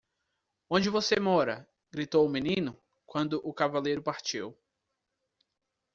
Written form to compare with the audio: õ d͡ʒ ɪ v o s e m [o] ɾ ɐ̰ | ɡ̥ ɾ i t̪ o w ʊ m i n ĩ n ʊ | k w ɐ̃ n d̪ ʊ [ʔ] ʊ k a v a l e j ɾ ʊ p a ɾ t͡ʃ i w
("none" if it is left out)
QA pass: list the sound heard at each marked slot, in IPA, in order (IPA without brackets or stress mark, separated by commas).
ɔ, ʔ